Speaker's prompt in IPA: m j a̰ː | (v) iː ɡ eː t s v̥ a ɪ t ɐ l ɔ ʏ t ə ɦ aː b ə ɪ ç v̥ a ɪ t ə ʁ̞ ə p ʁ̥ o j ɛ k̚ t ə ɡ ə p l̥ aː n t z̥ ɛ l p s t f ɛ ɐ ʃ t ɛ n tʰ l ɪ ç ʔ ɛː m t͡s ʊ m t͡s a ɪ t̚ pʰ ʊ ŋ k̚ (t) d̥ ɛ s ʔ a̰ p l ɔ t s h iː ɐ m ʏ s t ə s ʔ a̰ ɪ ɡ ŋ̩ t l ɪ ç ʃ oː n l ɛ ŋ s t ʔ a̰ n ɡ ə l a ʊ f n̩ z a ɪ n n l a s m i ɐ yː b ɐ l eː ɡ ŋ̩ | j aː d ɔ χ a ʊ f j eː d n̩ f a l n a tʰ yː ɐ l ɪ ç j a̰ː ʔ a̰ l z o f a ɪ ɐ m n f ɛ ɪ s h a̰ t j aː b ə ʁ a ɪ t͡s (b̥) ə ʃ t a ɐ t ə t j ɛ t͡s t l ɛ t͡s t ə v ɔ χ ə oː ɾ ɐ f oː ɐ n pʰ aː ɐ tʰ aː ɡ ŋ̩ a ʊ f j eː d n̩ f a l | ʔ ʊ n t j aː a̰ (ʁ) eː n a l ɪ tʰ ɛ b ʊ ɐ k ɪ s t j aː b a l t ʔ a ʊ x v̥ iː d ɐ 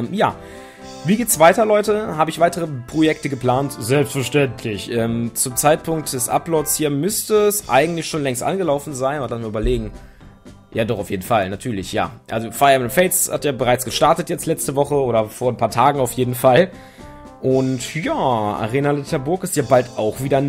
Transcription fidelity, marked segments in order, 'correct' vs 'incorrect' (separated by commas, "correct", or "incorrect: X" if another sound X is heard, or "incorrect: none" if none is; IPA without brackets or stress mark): correct, correct, incorrect: ɡ̥, correct